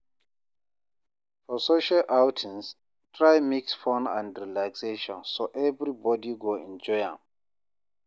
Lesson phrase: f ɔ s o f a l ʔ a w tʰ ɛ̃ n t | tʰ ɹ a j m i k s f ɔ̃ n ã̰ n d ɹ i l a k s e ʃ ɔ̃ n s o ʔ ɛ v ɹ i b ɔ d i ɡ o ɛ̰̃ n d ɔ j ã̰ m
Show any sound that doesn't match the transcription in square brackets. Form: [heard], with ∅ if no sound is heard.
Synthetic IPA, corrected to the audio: f ɔ s o [ʃ] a l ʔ a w tʰ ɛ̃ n [s] | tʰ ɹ a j m i k s f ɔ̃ n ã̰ n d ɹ i l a k s e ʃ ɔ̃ n s o ʔ ɛ v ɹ i b ɔ d i ɡ o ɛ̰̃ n [d͡ʒ] ɔ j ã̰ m